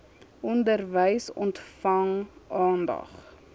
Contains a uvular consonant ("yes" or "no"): yes